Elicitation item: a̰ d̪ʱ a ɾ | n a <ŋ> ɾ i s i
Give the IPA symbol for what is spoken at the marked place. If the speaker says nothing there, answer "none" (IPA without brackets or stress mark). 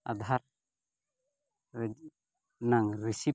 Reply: ŋ